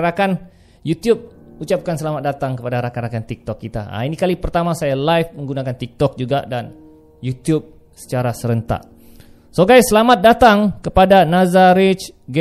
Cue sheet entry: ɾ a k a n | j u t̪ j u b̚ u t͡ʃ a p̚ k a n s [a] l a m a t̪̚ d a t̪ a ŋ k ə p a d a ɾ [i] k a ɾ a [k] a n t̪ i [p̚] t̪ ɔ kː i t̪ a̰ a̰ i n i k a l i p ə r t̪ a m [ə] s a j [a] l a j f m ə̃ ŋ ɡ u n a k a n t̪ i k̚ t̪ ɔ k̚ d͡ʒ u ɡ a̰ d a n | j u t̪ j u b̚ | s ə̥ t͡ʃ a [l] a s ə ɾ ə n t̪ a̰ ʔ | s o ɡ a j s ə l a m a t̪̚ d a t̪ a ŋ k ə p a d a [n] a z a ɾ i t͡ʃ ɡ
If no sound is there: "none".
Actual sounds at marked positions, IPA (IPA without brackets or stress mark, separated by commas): ə, a, k, k̚, a, a, ɾ, n